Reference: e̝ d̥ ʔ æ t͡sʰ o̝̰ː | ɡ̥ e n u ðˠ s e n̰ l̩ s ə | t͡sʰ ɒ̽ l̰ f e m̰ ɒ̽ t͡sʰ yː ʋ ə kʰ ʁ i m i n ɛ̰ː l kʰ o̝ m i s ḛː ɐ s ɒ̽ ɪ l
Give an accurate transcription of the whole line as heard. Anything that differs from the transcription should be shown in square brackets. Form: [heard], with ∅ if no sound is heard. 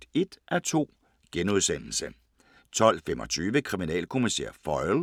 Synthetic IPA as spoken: e̝ d̥ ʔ æ t͡sʰ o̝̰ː | ɡ̥ e n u ðˠ s e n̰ l̩ s ə | t͡sʰ ɒ̽ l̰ f e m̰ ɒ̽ t͡sʰ yː ʋ ə kʰ ʁ i m i n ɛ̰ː l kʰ o̝ m i s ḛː ɐ [f] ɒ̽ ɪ l